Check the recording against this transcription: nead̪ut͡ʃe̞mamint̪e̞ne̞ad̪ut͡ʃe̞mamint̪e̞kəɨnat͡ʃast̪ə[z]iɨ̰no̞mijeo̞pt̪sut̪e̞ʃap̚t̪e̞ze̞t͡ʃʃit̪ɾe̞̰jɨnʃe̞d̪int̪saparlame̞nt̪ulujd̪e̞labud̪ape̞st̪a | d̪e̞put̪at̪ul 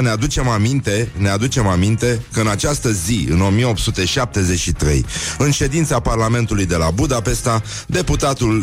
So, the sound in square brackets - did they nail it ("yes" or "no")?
yes